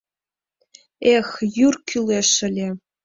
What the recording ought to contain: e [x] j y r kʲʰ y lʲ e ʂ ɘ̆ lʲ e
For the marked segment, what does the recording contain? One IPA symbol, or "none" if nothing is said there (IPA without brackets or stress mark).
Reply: x